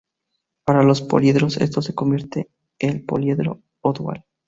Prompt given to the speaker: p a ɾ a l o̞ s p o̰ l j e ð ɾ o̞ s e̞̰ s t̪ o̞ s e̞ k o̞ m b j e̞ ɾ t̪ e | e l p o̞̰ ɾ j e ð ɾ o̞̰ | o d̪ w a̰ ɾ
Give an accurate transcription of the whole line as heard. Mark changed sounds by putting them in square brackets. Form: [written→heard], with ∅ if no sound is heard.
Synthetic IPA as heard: p a ɾ a l o̞ s p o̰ l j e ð ɾ o̞ s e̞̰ s t̪ o̞ s e̞ k o̞ m b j e̞ ɾ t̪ e | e l p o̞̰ [ɾ→l] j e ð ɾ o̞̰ | o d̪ w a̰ [ɾ→l]

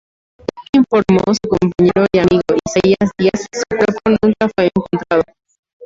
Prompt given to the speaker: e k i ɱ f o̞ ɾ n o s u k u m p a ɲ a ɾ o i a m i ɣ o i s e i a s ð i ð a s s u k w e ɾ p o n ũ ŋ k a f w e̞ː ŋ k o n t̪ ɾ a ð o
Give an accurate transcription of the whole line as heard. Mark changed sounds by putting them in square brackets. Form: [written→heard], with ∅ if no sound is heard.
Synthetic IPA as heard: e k i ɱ f o̞ ɾ [n→m] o s u k [u→o] m p a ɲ [a→e] ɾ o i a m i ɣ o i s e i a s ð i [ð→∅] a s s u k w e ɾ p o n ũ ŋ k a f w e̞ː ŋ k o n t̪ ɾ a ð o

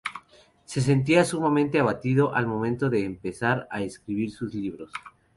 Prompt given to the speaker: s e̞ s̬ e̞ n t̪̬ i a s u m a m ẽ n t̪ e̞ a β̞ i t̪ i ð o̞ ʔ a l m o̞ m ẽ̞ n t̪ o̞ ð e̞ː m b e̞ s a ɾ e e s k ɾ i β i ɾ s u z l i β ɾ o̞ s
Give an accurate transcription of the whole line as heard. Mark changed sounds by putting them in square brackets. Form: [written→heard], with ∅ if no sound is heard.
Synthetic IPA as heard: s e̞ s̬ e̞ n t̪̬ i a s u m a m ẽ n t̪ e̞ a β̞ [i→a] t̪ i ð o̞ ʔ a l m o̞ m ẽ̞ n t̪ o̞ ð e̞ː m [b→p] e̞ s a ɾ [e→a] e s k ɾ i β i ɾ s u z l i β ɾ o̞ s

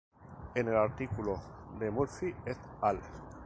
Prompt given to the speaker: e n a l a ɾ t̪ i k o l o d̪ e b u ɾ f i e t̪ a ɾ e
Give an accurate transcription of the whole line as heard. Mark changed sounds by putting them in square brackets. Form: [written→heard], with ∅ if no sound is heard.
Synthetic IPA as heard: e n [a→e] l a ɾ t̪ i k [o→u] l o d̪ e [b→m] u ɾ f i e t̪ a [ɾ→l] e

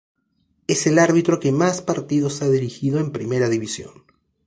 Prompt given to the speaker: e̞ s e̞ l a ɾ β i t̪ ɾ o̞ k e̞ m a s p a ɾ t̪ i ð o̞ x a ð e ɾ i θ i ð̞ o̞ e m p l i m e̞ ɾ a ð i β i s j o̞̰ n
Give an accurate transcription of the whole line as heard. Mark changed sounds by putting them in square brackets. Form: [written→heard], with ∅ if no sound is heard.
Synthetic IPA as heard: e̞ s e̞ l a ɾ β i t̪ ɾ o̞ k e̞ m a s p a ɾ t̪ i ð o̞ [x→s] a ð [e→i] ɾ i [θ→x] i ð̞ o̞ e m p [l→ɾ] i m e̞ ɾ a ð i β i s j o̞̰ n

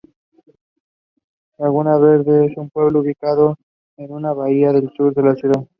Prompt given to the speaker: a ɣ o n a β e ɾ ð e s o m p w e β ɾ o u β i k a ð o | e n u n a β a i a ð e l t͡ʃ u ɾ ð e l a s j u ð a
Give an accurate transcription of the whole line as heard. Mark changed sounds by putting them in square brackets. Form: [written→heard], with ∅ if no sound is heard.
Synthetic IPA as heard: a ɣ [o→u] n a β e ɾ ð e s [o→u] m p w e β [ɾ→l] o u β i k a ð o | e n u n a β a i a ð e l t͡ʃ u ɾ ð e l a s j u ð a

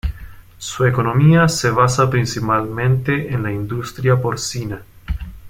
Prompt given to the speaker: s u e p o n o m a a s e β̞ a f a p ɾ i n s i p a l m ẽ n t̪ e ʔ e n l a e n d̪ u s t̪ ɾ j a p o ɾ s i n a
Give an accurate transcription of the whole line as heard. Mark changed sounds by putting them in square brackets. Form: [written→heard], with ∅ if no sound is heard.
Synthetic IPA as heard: s u e [p→k] o n o m [a→i] a s e β̞ a [f→s] a p ɾ i n s i p a l m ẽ n t̪ e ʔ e n l a [e→i] n d̪ u s t̪ ɾ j a p o ɾ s i n a

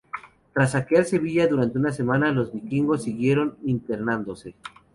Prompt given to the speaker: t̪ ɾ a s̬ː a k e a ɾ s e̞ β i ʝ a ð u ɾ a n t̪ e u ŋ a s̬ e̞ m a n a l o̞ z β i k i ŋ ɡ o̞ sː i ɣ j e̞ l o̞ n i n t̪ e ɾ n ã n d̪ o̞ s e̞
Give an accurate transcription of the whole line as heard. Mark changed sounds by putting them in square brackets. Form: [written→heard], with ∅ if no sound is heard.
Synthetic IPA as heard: t̪ ɾ a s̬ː a k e a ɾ s e̞ β i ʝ a ð u ɾ a n t̪ e u [ŋ→n] a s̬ e̞ m a n a l o̞ z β i k i ŋ ɡ o̞ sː i ɣ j e̞ [l→ɾ] o̞ n i n t̪ e ɾ n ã n d̪ o̞ s e̞

